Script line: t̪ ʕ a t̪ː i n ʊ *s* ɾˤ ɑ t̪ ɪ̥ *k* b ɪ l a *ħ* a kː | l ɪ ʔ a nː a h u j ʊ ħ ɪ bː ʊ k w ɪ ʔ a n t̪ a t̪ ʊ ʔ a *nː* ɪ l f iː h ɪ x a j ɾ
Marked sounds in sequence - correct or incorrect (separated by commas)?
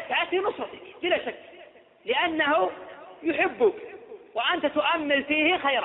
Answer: correct, correct, incorrect, incorrect